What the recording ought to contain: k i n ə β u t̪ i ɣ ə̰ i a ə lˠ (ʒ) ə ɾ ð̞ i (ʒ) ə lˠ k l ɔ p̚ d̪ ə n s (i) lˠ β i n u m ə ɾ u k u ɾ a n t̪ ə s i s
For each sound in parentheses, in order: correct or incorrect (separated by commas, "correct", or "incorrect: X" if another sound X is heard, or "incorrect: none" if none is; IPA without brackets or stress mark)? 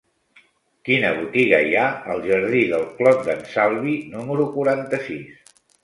correct, incorrect: ð, incorrect: a